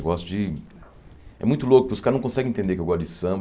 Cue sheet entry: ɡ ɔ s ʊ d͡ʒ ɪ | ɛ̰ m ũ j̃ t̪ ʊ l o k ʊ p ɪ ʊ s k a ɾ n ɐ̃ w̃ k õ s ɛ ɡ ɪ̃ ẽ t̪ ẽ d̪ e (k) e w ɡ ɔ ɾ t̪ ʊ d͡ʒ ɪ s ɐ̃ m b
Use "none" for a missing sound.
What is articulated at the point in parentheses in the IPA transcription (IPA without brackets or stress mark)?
k